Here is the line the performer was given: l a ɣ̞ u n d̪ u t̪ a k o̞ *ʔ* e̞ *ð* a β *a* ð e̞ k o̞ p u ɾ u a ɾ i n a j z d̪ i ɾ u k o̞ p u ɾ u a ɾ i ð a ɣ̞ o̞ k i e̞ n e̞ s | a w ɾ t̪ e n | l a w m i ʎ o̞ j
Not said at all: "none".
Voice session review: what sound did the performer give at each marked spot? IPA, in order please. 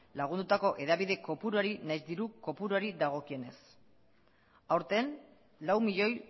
ʔ, ð, i

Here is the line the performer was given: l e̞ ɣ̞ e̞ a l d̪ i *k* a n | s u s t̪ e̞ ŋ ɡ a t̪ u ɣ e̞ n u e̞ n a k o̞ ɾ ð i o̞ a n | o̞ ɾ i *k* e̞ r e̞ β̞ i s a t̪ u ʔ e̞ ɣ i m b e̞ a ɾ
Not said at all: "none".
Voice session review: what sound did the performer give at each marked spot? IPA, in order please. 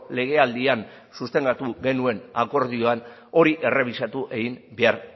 none, ʔ

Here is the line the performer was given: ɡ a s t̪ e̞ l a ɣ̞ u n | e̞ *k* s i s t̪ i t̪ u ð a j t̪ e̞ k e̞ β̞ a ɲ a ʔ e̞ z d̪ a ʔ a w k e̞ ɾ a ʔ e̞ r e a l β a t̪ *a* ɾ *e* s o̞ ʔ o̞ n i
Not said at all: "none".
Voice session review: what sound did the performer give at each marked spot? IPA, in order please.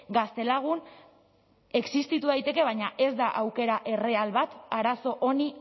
k, a, a

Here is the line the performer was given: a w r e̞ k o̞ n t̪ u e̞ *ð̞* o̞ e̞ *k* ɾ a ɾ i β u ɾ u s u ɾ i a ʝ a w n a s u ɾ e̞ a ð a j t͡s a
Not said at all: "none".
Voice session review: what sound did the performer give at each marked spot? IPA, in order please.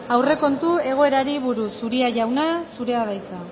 ɣ̞, none

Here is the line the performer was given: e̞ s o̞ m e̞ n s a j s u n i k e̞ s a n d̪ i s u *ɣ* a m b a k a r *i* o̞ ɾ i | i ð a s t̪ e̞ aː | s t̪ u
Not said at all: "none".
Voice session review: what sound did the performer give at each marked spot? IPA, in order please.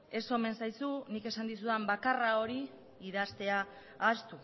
ð, a

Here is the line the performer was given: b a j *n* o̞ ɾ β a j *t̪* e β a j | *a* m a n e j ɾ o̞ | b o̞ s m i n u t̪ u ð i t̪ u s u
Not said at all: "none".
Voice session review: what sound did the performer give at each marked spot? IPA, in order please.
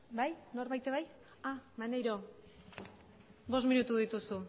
n, t̪, a

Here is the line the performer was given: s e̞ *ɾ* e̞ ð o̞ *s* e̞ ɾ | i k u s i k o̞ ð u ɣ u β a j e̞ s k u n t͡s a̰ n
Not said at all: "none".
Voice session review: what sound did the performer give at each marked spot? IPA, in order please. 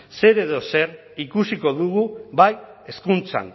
ɾ, s

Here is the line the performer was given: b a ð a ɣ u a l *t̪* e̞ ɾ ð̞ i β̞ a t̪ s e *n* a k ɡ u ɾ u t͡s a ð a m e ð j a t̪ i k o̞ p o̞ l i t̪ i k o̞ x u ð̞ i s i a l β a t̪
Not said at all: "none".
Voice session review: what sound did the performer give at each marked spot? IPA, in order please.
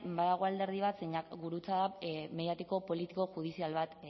d̪, ɲ

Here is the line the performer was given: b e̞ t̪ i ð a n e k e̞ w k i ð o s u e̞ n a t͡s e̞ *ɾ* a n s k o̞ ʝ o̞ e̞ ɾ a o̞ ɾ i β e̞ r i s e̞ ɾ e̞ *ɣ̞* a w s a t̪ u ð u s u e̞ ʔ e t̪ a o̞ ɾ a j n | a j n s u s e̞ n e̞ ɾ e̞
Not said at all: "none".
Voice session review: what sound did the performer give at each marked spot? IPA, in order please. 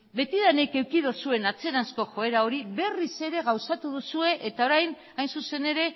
ɾ, ɣ̞

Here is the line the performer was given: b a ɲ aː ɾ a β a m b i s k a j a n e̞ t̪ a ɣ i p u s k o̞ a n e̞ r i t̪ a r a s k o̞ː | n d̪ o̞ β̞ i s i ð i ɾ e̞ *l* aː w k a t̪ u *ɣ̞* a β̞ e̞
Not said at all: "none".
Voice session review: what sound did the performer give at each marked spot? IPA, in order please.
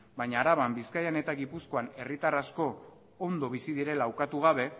l, ɣ̞

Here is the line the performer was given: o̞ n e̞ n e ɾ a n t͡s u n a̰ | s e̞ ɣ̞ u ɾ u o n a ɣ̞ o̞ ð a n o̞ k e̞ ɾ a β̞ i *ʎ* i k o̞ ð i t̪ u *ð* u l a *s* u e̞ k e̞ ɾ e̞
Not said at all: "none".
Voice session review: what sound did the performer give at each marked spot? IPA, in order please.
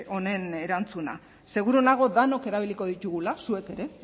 l, ɣ, s

